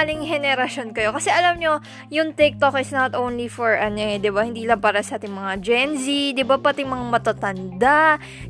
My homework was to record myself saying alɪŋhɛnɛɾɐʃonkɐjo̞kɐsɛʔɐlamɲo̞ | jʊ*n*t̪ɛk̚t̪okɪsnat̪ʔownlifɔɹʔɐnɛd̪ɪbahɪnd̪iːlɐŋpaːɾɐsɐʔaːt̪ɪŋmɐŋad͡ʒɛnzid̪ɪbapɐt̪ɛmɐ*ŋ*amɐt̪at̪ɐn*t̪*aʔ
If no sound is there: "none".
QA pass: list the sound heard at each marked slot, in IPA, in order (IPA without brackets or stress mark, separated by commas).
ŋ, ŋ, d̪